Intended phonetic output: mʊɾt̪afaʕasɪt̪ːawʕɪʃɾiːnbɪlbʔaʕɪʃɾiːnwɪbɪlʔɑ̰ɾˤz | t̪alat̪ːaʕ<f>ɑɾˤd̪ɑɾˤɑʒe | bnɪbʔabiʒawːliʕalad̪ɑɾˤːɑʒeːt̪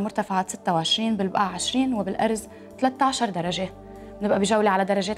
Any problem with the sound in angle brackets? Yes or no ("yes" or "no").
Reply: yes